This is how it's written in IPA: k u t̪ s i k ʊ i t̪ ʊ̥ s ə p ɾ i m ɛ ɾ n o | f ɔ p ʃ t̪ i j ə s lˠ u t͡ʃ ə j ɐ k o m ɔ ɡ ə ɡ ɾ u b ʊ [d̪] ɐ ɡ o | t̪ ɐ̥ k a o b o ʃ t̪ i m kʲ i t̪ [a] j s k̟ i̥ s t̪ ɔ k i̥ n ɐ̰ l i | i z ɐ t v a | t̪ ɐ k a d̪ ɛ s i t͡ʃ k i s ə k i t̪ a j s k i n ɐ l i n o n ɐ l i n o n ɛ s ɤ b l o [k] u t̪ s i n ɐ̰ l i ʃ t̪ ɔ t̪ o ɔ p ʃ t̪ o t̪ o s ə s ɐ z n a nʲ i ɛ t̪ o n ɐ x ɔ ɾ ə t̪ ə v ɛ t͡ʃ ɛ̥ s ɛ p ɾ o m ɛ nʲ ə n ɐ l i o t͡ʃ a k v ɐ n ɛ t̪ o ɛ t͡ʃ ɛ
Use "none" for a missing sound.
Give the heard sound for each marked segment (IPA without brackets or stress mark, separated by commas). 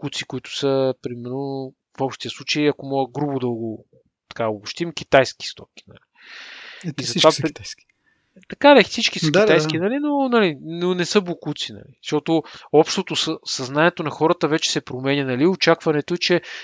d̪, a, k